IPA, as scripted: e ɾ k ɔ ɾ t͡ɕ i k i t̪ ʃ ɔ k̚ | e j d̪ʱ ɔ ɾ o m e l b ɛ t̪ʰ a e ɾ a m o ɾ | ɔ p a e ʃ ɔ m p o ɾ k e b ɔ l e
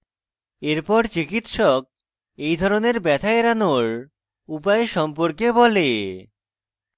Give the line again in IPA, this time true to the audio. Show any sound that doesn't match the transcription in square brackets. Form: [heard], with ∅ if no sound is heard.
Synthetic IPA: e ɾ [p] ɔ ɾ t͡ɕ i k i t̪ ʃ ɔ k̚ | e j d̪ʱ ɔ ɾ o [n] e [ɾ] b ɛ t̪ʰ a e ɾ a [n] o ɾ | [u] p a e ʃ ɔ m p o ɾ k e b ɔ l e